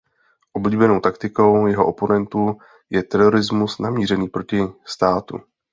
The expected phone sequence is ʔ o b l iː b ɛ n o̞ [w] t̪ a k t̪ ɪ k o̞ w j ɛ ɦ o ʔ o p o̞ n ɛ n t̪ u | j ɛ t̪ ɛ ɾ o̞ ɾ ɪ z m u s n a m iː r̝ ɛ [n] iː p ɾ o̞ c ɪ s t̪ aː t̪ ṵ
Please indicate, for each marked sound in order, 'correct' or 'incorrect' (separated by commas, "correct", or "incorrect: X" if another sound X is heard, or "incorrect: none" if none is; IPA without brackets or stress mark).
correct, correct